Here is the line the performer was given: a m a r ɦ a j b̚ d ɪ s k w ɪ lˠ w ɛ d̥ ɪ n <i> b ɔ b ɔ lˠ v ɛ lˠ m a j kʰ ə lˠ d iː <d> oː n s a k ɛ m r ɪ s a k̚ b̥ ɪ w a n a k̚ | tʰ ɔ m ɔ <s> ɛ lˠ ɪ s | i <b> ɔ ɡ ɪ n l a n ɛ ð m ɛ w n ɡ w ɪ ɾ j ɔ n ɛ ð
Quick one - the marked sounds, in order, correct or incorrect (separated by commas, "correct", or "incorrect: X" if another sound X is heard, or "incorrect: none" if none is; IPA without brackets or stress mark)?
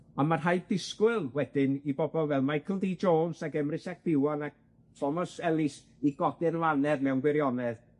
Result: correct, incorrect: d͡ʒ, correct, incorrect: ɡ